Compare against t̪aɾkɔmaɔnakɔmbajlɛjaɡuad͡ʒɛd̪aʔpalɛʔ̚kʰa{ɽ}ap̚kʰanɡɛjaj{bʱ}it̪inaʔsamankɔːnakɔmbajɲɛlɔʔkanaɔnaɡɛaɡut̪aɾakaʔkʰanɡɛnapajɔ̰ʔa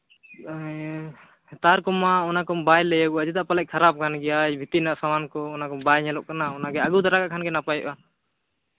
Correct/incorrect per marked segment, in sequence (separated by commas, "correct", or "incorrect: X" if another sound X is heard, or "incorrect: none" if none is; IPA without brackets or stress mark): incorrect: ɾ, correct